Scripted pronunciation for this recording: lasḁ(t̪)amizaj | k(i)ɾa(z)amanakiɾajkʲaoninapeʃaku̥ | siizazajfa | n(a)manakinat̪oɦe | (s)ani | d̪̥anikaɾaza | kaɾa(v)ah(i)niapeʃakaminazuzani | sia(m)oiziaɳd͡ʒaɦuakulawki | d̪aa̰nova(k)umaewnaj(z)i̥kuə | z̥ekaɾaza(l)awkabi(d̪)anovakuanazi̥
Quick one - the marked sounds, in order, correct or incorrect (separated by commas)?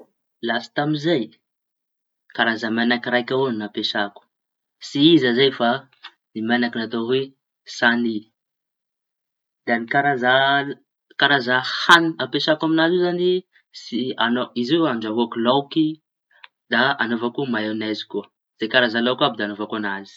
correct, incorrect, correct, incorrect, correct, incorrect, incorrect, incorrect, correct, correct, correct, correct